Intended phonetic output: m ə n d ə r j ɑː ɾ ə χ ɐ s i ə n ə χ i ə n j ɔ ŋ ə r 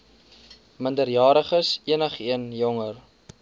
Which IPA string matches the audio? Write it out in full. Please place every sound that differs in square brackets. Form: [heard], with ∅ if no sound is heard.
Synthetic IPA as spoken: m ə n d ə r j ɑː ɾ ə χ [ə] s i ə n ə χ i ə n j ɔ ŋ ə r